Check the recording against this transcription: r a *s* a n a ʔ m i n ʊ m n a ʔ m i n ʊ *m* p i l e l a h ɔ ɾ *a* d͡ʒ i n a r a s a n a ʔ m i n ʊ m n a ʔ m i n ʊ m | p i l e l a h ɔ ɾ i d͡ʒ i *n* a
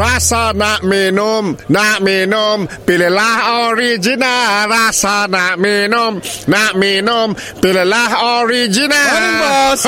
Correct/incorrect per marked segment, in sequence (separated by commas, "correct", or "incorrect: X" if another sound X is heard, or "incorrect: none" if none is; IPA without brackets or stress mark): correct, correct, incorrect: i, correct